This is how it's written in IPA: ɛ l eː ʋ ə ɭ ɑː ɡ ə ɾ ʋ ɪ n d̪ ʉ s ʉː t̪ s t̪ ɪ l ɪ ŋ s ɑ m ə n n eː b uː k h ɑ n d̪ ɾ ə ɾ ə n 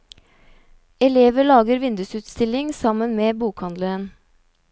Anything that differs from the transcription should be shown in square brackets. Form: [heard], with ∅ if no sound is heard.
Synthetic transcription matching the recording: ɛ l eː ʋ ə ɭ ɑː ɡ ə ɾ ʋ ɪ n d̪ ʉ s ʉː t̪ s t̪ ɪ l ɪ ŋ s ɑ m ə n [m] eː b uː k h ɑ n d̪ [l] ə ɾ ə n